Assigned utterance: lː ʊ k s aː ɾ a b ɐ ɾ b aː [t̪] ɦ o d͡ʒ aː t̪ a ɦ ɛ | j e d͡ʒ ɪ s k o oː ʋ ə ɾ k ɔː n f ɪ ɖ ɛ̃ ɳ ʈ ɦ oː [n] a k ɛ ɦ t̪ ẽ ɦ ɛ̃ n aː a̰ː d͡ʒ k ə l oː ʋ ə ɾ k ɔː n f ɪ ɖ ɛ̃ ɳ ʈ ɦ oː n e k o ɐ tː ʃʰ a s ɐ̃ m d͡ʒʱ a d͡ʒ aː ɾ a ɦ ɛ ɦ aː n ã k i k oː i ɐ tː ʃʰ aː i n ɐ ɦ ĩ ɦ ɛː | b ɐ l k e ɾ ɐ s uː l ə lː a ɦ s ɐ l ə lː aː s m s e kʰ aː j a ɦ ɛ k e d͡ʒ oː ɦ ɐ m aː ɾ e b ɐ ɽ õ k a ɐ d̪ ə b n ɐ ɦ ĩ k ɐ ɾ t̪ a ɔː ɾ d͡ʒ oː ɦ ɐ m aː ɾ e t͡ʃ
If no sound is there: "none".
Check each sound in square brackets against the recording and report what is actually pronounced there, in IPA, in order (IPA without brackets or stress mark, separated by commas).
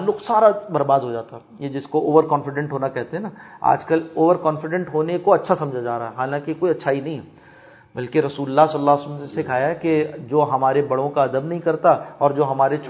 d̪, n